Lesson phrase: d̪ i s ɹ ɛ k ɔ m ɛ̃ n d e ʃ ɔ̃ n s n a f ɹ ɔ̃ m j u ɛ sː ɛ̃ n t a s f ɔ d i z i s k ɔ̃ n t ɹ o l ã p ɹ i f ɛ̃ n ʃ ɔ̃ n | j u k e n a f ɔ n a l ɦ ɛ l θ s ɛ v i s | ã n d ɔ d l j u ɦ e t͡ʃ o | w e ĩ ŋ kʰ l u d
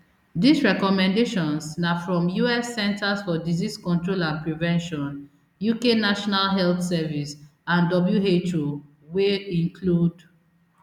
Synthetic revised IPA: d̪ i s ɹ ɛ k ɔ m ɛ̃ n d e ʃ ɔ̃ n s n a f ɹ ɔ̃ m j u ɛ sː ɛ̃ n t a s f ɔ d i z i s k ɔ̃ n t ɹ o l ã p ɹ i v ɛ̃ n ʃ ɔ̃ n | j u k e n a ʃ ɔ n a l ɦ ɛ l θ s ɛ v i s | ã n d ɔ b l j u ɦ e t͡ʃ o | w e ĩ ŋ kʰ l u d